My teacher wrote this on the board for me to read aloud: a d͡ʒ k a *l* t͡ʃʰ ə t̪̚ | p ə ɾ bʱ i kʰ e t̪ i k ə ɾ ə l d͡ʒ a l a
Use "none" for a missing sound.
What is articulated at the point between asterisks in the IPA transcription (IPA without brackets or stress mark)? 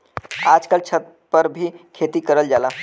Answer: l